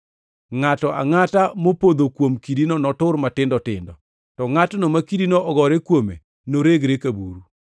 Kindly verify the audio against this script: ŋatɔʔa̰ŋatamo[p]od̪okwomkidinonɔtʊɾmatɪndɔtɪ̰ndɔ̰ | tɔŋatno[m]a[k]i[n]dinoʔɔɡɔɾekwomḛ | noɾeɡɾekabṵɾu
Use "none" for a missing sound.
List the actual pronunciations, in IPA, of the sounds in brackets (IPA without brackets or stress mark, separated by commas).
p, m, k, none